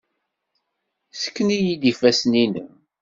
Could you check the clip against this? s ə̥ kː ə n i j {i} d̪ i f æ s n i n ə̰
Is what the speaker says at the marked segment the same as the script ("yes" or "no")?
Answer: yes